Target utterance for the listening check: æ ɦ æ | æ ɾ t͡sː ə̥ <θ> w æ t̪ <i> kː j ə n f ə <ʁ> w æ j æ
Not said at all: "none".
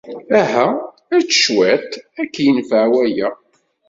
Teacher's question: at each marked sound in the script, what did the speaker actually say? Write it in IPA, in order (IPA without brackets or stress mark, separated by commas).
ʃ, æ, ʕ